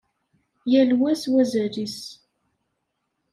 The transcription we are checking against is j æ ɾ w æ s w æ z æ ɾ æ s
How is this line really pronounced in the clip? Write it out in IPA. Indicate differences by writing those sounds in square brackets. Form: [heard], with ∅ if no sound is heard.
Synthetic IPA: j æ [l] w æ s w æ z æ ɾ [i] s